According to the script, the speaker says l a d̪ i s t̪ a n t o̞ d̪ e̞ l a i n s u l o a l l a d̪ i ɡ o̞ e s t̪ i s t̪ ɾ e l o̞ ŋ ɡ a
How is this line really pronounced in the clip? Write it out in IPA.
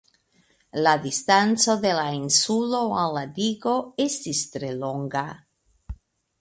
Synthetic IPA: l a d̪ i s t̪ a n t͡s o̞ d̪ e̞ l a i n s u l o a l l a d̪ i ɡ o̞ e s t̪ i s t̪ ɾ e l o̞ ŋ ɡ a